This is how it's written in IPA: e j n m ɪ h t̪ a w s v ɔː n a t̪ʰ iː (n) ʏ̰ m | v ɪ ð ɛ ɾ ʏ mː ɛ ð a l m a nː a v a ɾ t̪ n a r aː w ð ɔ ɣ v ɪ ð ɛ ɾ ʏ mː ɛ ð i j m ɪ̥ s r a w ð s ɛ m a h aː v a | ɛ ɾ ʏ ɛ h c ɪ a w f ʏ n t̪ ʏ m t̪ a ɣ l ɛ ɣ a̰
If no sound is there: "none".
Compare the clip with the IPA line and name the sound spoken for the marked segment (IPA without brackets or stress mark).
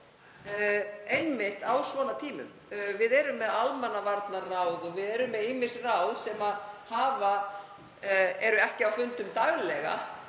m